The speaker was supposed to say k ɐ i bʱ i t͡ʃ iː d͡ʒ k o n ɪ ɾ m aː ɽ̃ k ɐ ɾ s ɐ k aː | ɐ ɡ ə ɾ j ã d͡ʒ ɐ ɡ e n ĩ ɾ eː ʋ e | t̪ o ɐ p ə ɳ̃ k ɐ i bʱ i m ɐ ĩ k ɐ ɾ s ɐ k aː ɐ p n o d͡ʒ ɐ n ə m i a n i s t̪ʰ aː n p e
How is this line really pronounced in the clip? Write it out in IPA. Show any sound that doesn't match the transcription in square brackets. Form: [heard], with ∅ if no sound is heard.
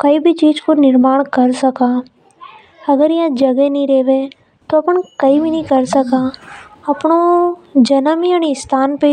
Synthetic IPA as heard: k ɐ i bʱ i t͡ʃ iː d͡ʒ k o n ɪ ɾ m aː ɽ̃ k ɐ ɾ s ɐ k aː | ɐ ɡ ə ɾ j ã d͡ʒ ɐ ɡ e n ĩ ɾ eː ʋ e | t̪ o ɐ p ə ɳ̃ k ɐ i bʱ i [n] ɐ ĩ k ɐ ɾ s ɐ k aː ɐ p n o d͡ʒ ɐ n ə m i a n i s t̪ʰ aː n p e

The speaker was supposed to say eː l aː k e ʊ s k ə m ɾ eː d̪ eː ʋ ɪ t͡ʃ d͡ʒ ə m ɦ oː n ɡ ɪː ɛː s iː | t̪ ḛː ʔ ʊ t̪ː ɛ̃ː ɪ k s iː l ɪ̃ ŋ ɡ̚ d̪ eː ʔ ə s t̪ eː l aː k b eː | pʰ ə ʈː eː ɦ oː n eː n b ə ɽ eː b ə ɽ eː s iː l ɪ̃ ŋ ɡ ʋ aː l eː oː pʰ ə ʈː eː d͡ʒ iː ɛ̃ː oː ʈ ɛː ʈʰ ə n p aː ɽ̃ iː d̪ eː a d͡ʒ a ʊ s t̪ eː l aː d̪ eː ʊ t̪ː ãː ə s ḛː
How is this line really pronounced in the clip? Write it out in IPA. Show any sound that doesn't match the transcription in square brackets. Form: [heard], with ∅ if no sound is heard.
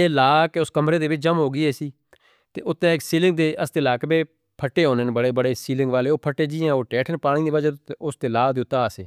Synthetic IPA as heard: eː l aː k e ʊ s k ə m ɾ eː d̪ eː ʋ ɪ t͡ʃ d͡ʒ ə m ɦ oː [∅] ɡ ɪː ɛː s iː | t̪ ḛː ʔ ʊ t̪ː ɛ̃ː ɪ k s iː l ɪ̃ ŋ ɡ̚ d̪ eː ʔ ə s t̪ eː l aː k b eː | pʰ ə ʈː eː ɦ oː n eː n b ə ɽ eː b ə ɽ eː s iː l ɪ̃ ŋ ɡ ʋ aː l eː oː pʰ ə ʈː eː d͡ʒ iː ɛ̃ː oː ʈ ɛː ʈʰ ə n p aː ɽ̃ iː d̪ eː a d͡ʒ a ʊ s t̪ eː l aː d̪ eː ʊ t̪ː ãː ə s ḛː

